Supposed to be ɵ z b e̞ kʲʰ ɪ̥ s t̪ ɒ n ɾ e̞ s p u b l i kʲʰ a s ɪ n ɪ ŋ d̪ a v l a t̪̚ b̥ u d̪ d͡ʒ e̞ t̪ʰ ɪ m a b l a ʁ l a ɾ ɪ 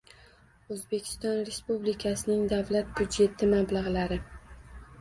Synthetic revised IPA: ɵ z b e̞ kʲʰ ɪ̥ s t̪ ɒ n ɾ e̞ s p u b l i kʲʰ a s ɪ n ɪ ŋ d̪ a v l a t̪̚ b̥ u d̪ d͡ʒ e̞ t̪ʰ ɪ m a b l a ʁ l a ɾ ɪ